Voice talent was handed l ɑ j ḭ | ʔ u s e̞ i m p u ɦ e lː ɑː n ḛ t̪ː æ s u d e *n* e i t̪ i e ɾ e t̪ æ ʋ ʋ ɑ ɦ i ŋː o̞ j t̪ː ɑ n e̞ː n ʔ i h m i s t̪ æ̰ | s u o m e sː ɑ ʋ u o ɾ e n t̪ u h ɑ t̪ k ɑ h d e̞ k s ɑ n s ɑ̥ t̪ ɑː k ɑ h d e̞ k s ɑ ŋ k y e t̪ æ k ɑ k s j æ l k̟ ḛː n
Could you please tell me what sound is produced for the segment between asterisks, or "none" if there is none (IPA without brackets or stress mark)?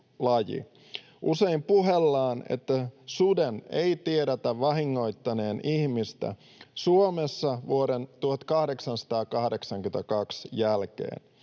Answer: n